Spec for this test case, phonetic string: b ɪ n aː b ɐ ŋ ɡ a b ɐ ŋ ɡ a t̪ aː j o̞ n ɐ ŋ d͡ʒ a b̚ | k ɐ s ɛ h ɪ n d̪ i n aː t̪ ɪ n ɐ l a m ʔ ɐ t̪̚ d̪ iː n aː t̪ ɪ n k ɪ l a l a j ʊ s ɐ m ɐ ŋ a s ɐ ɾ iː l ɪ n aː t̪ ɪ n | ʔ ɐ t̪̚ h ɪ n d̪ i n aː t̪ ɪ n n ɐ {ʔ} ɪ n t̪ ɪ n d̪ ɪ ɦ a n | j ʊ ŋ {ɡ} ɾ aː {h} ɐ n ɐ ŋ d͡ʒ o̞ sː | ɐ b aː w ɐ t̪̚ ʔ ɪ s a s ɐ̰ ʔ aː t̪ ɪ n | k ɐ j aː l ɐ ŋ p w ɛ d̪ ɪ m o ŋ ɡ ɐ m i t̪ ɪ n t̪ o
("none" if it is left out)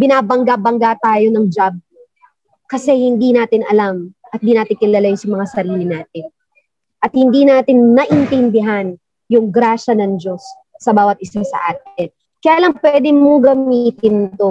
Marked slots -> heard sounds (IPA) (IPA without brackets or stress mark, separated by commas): ʔ, ɡ, ʃ